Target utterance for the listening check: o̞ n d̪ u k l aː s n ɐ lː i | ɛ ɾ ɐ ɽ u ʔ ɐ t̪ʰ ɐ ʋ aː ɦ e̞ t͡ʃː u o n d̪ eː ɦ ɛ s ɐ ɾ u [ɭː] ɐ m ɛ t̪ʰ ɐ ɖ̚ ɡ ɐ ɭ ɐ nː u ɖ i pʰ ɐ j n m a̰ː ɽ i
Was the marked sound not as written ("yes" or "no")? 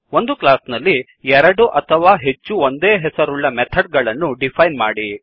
no